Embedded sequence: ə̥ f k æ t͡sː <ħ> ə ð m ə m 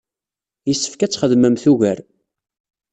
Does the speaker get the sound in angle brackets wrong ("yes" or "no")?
yes